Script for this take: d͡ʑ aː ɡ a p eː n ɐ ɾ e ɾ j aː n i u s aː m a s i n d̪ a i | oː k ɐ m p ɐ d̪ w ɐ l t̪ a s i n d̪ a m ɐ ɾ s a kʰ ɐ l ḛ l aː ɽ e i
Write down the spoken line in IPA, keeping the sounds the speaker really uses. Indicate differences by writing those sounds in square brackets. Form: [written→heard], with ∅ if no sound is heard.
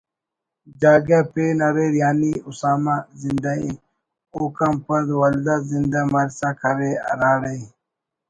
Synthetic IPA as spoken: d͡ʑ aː ɡ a p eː n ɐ ɾ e ɾ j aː n i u s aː m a [s→z] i n d̪ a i | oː k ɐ m p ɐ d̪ w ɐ l [t̪→d̪] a [s→z] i n d̪ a m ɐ ɾ s a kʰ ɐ [l→ɾ] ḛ [l→ɾ] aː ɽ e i